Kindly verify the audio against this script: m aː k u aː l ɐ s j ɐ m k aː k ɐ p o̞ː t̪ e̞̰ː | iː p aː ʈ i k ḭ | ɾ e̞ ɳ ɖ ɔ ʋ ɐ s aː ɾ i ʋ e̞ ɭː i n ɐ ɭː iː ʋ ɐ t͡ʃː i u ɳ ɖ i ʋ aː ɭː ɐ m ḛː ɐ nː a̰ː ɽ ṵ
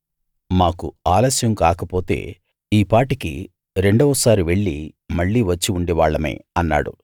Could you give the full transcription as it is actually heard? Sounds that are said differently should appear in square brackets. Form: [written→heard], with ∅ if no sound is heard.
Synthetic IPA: m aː k u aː l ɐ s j ɐ m k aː k ɐ p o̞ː t̪ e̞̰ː | iː p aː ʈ i k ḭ | ɾ e̞ ɳ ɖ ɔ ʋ ɐ s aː ɾ i ʋ e̞ ɭː i [n→m] ɐ ɭː iː ʋ ɐ t͡ʃː i u ɳ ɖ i ʋ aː ɭː ɐ m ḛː ɐ nː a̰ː ɽ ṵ

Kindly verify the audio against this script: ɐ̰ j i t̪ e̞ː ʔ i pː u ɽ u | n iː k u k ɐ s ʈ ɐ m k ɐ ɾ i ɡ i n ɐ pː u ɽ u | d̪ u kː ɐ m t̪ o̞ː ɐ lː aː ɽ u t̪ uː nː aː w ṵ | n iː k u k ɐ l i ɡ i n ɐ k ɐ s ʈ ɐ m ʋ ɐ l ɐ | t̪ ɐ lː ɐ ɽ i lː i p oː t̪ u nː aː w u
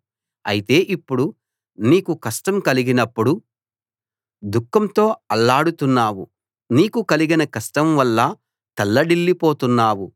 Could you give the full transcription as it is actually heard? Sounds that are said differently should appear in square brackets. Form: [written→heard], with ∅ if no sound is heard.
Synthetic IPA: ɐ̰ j i t̪ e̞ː ʔ i pː u ɽ u | n iː k u k ɐ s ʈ ɐ m k ɐ [ɾ→l] i ɡ i n ɐ pː u ɽ u | d̪ u kː ɐ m t̪ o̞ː ɐ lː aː ɽ u t̪ [uː→u] nː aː w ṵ | n iː k u k ɐ l i ɡ i n ɐ k ɐ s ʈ ɐ m ʋ ɐ [l→lː] ɐ | t̪ ɐ lː ɐ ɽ i lː i p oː t̪ u nː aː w u

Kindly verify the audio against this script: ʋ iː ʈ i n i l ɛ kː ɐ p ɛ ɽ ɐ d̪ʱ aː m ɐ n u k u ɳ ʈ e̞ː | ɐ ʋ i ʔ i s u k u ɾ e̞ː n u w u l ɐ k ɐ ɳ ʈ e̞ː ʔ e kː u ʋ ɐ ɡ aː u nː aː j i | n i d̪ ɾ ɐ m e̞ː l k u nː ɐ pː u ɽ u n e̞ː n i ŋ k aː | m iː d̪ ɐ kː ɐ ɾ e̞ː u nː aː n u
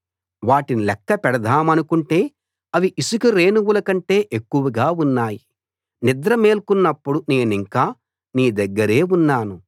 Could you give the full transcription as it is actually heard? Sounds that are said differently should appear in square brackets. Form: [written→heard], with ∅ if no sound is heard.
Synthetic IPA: ʋ [iː→aː] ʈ i n i l ɛ kː ɐ p ɛ ɽ ɐ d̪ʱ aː m ɐ n u k u ɳ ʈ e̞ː | ɐ ʋ i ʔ i s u k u ɾ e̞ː n u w u l ɐ k ɐ ɳ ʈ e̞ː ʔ e kː u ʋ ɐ ɡ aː u nː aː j i | n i d̪ ɾ ɐ m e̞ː l k u nː ɐ pː u ɽ u n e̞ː n i ŋ k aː | [m→n] iː d̪ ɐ [kː→ɡː] ɐ ɾ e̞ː u nː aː n u

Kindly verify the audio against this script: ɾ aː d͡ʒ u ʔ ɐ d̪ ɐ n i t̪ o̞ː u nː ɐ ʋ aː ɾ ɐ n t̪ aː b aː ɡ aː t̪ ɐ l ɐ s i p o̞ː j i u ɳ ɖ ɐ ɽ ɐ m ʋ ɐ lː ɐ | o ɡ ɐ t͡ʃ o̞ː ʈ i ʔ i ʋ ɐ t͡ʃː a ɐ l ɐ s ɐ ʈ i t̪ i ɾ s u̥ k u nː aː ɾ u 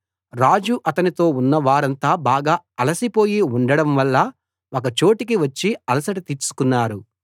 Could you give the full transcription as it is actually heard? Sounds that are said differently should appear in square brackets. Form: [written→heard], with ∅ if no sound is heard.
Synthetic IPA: ɾ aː d͡ʒ u ʔ ɐ [d̪→t̪] ɐ n i t̪ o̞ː u nː ɐ ʋ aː ɾ ɐ n t̪ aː b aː ɡ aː [t̪→∅] ɐ l ɐ s i p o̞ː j i u ɳ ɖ ɐ ɽ ɐ m ʋ ɐ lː ɐ | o [ɡ→k] ɐ t͡ʃ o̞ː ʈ i [ʔ→k] i ʋ ɐ t͡ʃː [a→i] ɐ l ɐ s ɐ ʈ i t̪ i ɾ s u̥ k u nː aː ɾ u

